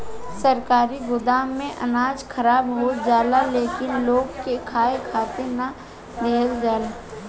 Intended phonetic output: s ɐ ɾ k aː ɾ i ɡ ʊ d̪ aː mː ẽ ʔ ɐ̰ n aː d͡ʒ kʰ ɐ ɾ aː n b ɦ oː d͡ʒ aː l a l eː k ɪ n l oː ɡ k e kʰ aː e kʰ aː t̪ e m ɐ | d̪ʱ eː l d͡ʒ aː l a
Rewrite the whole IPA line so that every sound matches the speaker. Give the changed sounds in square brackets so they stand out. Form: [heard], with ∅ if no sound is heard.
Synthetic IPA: s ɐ ɾ k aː ɾ i ɡ ʊ d̪ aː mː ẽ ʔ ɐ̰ n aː d͡ʒ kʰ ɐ ɾ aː [∅] b ɦ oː d͡ʒ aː l a l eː k ɪ n l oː ɡ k e kʰ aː e kʰ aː t̪ e [n] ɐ | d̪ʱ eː l d͡ʒ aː l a